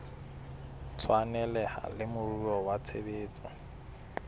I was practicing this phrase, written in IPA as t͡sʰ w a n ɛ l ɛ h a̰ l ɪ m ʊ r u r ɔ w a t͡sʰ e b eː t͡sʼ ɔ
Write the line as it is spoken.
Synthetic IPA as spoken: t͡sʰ w a n ɛ l ɛ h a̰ l ɪ m ʊ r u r ɔ w a t͡sʰ e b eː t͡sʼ ɔ